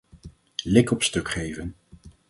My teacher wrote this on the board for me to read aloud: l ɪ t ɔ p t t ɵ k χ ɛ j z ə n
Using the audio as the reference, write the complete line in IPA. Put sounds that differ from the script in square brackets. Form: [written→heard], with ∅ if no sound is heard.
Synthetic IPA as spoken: l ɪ [t→k] ɔ p [t→s] t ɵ k χ [ɛ→e] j [z→v] ə n